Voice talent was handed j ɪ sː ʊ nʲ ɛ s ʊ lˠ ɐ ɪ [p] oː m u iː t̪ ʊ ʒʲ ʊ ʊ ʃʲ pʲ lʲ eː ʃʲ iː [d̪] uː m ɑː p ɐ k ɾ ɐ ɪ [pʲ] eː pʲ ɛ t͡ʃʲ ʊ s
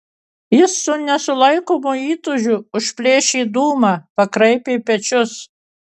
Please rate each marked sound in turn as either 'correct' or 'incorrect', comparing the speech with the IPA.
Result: incorrect: k, correct, correct

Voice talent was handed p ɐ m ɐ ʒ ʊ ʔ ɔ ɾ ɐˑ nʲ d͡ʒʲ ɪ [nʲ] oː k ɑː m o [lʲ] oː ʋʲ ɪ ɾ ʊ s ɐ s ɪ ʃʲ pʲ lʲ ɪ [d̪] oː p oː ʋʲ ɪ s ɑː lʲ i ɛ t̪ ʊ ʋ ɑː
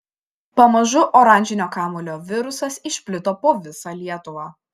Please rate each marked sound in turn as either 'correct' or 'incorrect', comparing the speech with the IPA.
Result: correct, correct, incorrect: t̪

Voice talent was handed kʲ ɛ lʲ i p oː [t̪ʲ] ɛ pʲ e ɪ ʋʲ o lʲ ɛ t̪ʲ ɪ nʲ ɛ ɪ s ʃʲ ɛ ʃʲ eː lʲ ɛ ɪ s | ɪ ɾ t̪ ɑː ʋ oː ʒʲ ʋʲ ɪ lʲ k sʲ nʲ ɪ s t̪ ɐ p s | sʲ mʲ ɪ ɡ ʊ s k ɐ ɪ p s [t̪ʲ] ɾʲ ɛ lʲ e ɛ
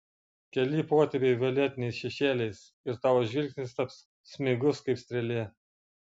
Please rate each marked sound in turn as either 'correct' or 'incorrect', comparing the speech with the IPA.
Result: correct, correct

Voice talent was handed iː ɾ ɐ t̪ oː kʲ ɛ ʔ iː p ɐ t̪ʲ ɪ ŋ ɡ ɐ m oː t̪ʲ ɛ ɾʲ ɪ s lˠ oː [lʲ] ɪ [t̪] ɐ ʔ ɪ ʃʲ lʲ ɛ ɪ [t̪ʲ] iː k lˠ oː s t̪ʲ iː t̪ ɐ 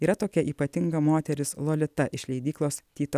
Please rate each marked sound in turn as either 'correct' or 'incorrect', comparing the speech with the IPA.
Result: correct, correct, incorrect: d̪ʲ

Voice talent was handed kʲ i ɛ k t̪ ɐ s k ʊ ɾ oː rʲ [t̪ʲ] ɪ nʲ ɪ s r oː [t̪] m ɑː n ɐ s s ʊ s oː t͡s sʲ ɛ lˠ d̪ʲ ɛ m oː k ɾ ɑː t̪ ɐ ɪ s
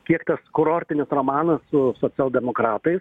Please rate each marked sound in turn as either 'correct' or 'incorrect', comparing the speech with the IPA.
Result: correct, incorrect: none

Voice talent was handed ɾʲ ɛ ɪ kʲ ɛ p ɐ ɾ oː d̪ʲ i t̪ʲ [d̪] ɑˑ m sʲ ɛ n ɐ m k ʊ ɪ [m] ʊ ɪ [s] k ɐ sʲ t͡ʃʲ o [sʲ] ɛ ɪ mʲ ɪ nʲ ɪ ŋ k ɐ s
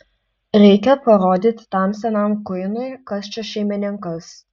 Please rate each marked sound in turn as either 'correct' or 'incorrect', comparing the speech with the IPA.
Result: incorrect: t̪, incorrect: n, incorrect: none, incorrect: ʃʲ

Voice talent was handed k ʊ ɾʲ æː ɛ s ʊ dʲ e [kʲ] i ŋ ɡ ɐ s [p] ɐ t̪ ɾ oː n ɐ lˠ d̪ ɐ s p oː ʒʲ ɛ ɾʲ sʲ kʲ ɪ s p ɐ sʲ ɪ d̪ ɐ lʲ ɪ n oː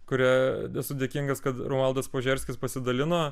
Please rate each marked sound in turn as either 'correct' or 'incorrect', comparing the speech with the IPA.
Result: correct, incorrect: k

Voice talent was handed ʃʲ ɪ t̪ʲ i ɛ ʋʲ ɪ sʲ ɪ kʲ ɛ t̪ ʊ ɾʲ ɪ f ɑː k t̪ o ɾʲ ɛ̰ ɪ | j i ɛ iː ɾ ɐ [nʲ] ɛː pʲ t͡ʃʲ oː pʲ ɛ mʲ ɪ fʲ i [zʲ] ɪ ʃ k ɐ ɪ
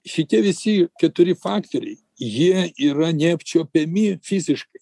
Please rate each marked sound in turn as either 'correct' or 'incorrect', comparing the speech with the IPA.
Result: correct, correct

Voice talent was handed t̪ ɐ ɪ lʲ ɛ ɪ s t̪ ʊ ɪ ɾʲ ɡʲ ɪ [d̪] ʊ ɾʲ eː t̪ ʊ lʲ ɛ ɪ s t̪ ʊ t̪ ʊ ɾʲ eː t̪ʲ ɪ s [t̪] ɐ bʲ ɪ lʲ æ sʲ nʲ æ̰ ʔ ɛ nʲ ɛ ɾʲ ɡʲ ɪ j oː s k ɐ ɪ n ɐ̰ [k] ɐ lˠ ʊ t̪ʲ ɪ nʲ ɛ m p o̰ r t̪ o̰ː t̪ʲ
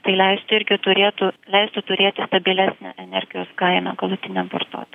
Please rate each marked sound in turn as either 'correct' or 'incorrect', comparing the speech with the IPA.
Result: incorrect: t̪, correct, incorrect: ɡ

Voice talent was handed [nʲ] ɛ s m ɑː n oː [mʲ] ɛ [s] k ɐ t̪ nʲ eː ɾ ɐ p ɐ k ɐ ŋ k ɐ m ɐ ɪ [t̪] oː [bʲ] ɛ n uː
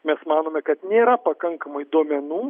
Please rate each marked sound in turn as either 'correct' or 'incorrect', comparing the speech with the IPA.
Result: incorrect: mʲ, correct, incorrect: none, incorrect: d̪, incorrect: mʲ

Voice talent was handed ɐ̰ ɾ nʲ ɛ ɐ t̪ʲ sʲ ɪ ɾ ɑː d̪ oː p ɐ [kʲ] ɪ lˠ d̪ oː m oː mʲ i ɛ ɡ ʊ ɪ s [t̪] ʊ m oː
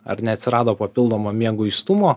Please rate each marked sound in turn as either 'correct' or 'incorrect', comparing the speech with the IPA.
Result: incorrect: pʲ, correct

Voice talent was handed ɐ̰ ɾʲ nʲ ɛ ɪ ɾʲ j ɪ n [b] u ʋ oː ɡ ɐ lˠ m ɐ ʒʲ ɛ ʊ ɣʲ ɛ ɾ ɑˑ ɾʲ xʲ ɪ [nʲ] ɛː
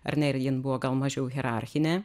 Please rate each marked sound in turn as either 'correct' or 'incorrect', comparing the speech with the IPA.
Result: correct, correct

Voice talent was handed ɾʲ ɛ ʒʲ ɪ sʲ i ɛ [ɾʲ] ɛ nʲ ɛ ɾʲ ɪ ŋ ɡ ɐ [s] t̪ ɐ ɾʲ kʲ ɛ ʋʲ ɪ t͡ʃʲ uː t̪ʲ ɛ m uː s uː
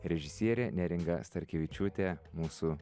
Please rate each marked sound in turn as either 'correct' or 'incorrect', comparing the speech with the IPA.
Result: correct, correct

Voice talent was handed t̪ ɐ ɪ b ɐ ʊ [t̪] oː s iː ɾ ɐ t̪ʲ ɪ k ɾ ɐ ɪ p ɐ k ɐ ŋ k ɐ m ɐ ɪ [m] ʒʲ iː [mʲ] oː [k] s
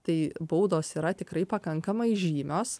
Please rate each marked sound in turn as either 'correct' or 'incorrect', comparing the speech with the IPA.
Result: incorrect: d̪, incorrect: none, correct, incorrect: none

